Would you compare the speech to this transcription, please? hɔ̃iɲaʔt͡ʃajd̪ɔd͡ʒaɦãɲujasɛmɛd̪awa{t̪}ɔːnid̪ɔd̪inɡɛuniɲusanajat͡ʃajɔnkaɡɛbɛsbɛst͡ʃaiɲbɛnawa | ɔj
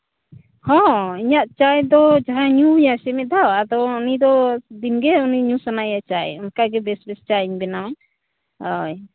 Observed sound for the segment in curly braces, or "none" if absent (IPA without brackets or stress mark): d̪